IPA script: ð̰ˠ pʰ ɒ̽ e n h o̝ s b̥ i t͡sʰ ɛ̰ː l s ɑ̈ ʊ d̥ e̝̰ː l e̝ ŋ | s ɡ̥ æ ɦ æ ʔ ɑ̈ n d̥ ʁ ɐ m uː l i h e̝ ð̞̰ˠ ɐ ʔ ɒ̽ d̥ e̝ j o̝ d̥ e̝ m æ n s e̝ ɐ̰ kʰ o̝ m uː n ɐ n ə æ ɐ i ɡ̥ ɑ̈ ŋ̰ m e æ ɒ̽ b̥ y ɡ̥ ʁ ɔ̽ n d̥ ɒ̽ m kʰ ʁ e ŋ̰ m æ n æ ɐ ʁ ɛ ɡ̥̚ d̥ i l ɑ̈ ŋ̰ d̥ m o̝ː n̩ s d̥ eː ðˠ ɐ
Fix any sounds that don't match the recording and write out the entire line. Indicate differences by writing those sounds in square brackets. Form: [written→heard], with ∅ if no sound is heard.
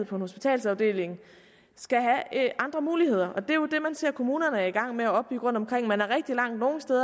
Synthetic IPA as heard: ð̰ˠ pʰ ɒ̽ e n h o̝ s b̥ i t͡sʰ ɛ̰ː l s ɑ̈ ʊ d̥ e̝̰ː l e̝ ŋ | s ɡ̥ æ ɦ æ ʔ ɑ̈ n d̥ ʁ ɐ m uː l i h e̝ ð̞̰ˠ ɐ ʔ ɒ̽ d̥ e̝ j o̝ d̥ e̝ m æ n s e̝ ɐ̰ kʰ o̝ m uː n ɐ n ə æ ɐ i ɡ̥ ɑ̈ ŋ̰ m e æ ɒ̽ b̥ y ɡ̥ ʁ ɔ̽ n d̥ ɒ̽ m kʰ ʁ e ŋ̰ m æ n æ ɐ ʁ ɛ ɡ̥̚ d̥ i l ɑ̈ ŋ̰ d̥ [m→n] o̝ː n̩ s d̥ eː ðˠ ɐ